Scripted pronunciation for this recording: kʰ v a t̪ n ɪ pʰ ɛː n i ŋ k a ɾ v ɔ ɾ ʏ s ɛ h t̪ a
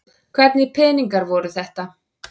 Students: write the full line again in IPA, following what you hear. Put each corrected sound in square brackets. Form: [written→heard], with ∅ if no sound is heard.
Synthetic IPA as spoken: kʰ v [a→ɛ] t̪ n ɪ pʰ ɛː n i ŋ k a ɾ v ɔ ɾ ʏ [s→θ] ɛ h t̪ a